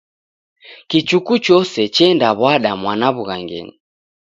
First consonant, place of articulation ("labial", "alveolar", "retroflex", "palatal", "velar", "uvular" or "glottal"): velar